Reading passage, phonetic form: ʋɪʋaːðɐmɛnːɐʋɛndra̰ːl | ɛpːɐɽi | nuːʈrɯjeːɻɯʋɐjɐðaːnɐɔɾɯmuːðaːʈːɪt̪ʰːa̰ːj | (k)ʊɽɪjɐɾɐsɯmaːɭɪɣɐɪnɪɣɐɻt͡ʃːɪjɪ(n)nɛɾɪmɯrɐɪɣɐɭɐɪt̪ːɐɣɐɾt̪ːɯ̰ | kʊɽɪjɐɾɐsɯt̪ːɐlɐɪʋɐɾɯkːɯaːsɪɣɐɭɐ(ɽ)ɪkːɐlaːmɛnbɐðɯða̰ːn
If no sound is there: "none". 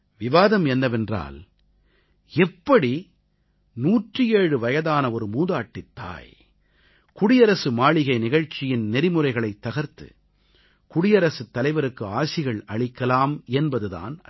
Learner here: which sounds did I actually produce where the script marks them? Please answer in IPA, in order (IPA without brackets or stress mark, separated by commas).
k, n, ɭ